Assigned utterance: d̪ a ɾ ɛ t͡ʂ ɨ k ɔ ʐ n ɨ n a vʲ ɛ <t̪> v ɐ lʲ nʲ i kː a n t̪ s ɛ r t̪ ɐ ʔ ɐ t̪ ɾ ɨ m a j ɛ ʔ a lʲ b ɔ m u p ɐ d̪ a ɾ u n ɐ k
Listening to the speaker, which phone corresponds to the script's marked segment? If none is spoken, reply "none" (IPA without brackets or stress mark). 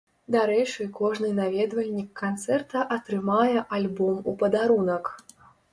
d̪